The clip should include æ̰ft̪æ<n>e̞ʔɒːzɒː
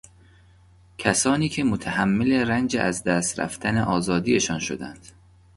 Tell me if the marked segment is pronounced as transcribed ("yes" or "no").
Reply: yes